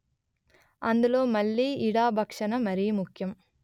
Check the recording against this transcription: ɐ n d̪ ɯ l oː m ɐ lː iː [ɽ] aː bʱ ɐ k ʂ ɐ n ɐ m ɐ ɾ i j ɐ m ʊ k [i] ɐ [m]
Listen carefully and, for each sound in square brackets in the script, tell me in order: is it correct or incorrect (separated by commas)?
correct, incorrect, correct